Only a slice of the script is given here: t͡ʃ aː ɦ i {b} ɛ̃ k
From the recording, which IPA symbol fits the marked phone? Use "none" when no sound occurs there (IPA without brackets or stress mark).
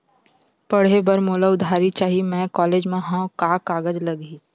m